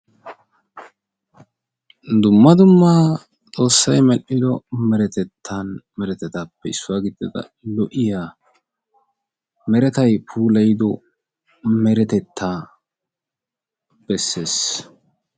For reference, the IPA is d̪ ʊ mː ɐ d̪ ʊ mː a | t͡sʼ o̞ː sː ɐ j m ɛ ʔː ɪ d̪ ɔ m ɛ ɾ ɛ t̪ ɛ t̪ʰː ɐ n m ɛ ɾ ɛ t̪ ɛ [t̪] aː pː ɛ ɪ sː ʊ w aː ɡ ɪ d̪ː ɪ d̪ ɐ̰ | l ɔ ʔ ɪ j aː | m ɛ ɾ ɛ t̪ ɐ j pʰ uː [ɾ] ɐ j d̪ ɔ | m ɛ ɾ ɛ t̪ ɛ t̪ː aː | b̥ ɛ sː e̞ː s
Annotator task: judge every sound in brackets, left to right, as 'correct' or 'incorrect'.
correct, incorrect

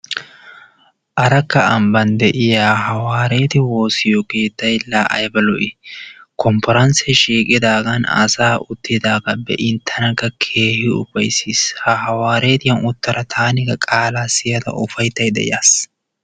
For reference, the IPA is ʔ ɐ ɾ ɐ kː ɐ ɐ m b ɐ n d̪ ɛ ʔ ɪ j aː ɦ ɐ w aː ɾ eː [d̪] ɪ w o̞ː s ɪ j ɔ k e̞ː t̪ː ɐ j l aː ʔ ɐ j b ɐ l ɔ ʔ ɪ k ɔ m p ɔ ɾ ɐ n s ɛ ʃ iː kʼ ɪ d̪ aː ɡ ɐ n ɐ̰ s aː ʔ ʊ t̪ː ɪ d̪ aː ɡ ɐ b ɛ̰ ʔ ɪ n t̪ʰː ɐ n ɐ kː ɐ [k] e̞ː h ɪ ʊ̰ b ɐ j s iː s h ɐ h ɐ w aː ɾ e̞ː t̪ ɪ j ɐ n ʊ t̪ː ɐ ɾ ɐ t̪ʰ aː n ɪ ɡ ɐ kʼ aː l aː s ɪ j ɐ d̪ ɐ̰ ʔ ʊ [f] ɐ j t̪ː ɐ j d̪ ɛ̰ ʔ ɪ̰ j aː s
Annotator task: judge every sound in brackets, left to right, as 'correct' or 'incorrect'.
incorrect, incorrect, correct

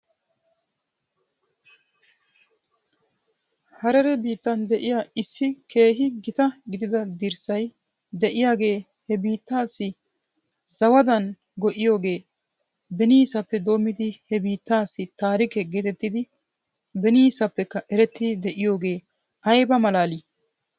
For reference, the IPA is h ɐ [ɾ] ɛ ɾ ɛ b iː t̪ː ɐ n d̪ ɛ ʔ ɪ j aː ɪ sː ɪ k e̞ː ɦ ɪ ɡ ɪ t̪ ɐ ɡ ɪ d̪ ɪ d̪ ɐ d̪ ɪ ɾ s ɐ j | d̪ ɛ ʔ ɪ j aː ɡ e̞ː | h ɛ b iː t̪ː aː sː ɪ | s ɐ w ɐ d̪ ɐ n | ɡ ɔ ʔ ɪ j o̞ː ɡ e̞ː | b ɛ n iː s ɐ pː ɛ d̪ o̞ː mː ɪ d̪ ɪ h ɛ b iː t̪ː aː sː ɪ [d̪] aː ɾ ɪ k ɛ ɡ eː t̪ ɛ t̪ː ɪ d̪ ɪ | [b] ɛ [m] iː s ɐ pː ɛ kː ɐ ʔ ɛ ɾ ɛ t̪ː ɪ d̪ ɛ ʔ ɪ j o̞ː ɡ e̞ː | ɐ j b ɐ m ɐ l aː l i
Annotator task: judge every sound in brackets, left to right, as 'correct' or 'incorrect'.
correct, incorrect, correct, incorrect

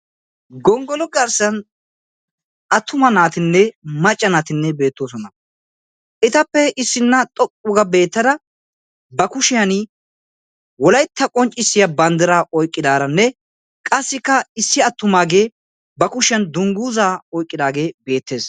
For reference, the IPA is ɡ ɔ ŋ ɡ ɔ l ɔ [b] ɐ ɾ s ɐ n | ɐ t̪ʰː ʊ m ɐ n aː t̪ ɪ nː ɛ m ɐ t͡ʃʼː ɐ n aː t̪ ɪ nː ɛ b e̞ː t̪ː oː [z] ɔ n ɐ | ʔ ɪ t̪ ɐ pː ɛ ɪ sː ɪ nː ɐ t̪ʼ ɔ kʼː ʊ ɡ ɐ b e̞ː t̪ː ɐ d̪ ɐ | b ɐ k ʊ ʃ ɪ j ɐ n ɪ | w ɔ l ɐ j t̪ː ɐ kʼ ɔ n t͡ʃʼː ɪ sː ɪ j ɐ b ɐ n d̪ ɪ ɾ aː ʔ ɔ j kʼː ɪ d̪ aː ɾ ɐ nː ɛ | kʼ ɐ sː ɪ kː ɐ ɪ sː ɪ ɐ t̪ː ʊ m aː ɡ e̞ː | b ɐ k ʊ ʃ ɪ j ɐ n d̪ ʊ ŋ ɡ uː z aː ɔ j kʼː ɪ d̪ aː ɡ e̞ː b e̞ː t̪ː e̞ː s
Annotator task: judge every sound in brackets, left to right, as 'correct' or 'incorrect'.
incorrect, incorrect

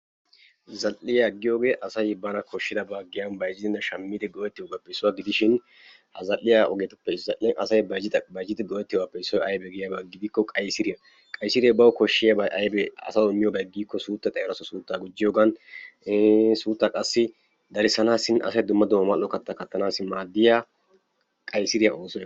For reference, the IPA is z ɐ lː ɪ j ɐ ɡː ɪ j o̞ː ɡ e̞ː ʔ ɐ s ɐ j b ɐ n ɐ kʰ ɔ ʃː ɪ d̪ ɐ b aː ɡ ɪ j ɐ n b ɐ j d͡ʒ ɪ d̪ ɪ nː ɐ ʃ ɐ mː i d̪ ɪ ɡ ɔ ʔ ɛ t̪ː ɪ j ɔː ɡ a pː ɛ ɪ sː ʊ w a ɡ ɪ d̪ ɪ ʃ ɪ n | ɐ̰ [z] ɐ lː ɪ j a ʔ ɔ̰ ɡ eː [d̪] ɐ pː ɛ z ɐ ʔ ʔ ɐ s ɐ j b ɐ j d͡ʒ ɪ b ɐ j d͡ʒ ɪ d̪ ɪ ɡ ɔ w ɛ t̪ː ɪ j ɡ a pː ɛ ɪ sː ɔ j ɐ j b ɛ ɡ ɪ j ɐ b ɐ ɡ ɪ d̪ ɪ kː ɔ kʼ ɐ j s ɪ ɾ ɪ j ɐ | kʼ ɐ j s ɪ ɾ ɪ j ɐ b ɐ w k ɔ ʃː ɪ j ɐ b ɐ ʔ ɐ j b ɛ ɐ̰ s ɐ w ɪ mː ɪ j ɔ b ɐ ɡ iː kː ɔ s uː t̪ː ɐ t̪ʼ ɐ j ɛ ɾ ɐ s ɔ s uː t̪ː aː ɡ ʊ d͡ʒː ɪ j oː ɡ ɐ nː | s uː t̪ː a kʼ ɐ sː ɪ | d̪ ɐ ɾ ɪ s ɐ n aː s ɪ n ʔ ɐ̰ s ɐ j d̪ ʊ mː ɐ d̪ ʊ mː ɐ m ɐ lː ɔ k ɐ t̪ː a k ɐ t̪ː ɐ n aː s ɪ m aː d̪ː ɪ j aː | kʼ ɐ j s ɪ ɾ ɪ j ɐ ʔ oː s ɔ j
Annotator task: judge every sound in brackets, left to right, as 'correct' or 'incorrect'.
correct, incorrect

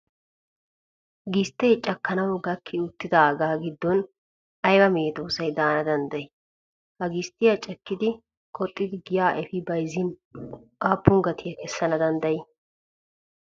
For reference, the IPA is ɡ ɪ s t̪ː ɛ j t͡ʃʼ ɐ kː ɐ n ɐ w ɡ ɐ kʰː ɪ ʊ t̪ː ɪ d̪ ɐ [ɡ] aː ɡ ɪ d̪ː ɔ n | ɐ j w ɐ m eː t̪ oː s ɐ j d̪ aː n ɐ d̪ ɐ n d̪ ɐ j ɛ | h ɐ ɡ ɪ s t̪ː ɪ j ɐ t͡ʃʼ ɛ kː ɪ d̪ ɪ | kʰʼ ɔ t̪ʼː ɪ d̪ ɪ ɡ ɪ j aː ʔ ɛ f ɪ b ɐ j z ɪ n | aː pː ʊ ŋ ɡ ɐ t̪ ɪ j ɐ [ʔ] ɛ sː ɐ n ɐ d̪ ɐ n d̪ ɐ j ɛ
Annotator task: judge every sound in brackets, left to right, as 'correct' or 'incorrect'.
correct, incorrect

